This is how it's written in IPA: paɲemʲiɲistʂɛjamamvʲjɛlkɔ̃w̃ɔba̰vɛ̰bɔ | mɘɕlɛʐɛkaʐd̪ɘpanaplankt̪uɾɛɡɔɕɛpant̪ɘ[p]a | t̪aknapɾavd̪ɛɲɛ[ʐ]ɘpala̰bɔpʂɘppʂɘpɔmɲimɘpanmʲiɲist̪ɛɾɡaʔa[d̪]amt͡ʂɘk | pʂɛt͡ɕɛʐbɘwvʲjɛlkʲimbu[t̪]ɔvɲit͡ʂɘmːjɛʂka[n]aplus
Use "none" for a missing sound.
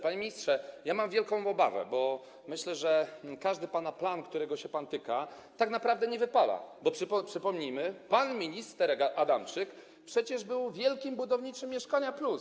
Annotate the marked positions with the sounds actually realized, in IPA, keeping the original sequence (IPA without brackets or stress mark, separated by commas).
k, v, d̪, d̪, ɲ